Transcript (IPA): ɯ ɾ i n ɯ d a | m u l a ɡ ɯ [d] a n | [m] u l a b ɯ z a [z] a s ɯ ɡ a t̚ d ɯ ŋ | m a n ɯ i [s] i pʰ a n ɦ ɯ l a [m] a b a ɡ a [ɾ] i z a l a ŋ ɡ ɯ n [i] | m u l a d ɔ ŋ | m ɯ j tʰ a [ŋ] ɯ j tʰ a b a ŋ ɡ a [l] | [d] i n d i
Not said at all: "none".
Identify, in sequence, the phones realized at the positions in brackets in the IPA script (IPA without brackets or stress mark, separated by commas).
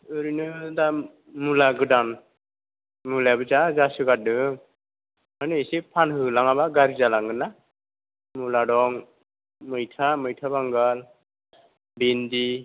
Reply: d, m, z, s, ŋ, ɾ, a, m, l, b